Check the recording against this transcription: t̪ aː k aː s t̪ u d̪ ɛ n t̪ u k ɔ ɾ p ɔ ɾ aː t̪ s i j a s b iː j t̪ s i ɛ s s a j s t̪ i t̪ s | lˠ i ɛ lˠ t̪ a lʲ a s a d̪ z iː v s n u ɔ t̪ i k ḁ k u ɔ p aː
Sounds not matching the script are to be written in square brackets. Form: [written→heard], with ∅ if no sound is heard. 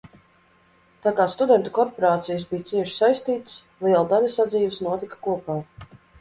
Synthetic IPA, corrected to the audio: t̪ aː k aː s t̪ u d̪ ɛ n t̪ u k ɔ ɾ p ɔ ɾ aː t̪ s i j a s b [iː→i] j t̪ s i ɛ [s→ʃ] s a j s t̪ [i→iː] t̪ s | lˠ i ɛ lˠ [t̪→d̪] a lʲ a s a d̪ z iː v s n u ɔ t̪ i k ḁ k u ɔ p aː